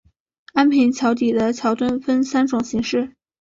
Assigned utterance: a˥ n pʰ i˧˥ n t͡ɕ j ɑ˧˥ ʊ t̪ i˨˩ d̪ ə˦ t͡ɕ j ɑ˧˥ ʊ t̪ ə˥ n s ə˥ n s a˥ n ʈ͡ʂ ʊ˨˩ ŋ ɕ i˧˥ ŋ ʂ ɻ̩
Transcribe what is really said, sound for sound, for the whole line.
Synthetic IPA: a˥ n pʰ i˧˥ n t͡ɕʰ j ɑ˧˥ ʊ t̪ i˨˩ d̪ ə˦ t͡ɕʰ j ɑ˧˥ ʊ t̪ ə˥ n f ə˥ n s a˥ n ʈ͡ʂ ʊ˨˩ ŋ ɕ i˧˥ ŋ ʂ ɻ̩